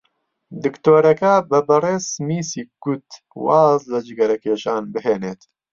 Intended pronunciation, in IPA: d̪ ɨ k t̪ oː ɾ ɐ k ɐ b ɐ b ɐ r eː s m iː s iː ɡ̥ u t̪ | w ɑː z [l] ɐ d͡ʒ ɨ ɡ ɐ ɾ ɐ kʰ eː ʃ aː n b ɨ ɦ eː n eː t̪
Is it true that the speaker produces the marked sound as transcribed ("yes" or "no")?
yes